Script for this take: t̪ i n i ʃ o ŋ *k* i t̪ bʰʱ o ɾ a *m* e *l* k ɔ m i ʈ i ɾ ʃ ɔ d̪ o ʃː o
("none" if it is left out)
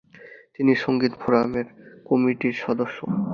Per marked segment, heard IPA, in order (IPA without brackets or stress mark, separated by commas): ɡ, m, ɾ